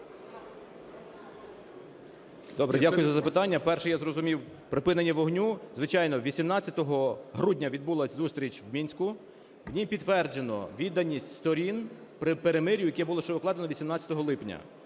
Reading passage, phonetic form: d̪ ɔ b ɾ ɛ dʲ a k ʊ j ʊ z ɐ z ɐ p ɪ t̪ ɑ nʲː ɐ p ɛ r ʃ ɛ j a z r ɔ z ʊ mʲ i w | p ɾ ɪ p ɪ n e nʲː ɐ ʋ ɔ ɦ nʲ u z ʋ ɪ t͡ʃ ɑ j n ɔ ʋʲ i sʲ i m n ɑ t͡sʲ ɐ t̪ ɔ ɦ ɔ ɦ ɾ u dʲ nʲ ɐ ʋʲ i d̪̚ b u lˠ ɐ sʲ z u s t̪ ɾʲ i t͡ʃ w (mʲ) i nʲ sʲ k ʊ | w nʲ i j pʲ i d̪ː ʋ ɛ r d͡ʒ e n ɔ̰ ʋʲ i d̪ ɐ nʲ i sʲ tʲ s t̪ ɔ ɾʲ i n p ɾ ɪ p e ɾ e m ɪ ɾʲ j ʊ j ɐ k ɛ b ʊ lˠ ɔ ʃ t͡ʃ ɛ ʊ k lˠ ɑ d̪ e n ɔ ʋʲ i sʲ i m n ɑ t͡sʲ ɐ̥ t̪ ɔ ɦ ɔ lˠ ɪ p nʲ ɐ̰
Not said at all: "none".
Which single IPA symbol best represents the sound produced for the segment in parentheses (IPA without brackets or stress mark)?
mʲ